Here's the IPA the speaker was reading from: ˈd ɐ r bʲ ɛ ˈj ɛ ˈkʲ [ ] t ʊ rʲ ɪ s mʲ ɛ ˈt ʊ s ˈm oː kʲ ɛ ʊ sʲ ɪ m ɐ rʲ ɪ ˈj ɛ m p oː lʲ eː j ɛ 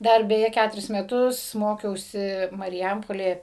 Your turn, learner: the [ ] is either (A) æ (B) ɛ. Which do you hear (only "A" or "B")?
A